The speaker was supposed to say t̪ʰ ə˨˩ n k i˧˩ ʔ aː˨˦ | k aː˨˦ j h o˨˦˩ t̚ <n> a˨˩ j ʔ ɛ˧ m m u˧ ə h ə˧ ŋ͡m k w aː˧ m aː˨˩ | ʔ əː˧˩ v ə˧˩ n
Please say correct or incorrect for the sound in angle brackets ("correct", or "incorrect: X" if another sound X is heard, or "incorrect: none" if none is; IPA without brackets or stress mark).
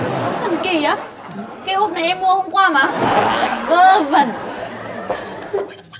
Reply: correct